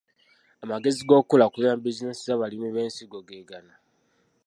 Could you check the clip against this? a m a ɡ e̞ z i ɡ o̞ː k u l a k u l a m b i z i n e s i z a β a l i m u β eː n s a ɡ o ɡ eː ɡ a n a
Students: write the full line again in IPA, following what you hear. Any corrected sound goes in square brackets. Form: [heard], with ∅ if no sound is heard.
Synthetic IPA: a m a ɡ e̞ z i ɡ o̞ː k u l a k u l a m b i z i n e s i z a β a l i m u β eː n s [i] ɡ o ɡ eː ɡ a n a